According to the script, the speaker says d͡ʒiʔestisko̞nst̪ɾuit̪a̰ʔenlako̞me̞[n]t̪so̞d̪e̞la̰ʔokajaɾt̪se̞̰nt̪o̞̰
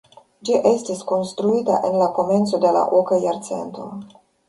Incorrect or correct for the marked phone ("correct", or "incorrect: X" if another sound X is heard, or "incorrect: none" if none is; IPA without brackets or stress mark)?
correct